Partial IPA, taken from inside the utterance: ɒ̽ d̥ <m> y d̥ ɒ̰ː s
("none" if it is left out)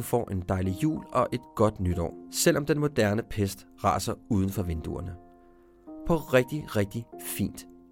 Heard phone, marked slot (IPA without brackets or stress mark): n